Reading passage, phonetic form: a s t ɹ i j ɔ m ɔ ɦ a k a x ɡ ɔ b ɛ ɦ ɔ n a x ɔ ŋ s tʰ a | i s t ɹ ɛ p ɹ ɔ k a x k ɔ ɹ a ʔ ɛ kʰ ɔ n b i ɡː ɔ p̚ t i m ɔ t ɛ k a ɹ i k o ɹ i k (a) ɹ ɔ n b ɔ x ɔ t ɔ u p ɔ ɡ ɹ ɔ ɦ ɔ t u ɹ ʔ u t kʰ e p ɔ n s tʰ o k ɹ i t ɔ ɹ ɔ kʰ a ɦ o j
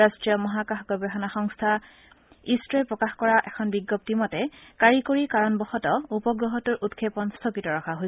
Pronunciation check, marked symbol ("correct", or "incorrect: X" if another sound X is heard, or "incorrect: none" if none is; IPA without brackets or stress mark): correct